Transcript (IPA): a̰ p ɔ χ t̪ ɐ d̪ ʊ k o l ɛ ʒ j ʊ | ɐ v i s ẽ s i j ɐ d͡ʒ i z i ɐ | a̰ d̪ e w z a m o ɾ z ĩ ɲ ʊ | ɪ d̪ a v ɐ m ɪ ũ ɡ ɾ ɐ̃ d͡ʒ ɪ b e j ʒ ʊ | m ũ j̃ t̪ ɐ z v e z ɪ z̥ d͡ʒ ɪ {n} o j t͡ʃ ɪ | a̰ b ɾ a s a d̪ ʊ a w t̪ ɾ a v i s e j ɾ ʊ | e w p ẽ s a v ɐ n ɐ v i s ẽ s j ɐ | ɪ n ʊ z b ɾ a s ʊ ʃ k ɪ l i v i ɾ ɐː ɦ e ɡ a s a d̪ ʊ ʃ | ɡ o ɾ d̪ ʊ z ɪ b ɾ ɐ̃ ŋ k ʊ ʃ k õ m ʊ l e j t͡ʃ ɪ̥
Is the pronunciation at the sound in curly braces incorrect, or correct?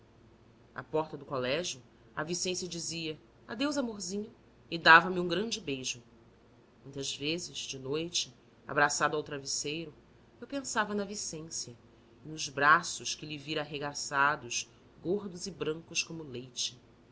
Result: correct